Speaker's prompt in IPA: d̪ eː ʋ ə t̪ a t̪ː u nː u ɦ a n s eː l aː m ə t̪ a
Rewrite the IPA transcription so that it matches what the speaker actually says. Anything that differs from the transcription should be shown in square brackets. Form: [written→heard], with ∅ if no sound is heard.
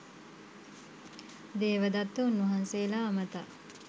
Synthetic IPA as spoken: d̪ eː ʋ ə [t̪→d̪] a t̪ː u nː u ɦ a n s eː l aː m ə t̪ a